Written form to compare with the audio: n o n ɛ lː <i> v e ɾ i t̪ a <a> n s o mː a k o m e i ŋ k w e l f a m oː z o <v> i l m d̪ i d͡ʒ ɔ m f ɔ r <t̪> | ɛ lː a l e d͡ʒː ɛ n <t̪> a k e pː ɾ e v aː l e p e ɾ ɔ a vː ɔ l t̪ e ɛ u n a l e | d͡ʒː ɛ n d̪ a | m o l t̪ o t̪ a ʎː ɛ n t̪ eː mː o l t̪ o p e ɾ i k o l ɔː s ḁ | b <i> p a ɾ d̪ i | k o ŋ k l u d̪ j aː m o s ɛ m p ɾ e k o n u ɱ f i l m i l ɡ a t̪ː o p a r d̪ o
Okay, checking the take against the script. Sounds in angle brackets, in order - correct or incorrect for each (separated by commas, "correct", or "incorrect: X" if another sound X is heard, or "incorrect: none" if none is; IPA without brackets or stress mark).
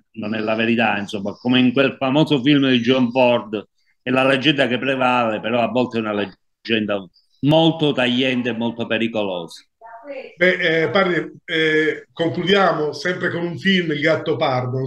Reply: incorrect: a, incorrect: i, incorrect: f, incorrect: d̪, incorrect: d̪, incorrect: ɛ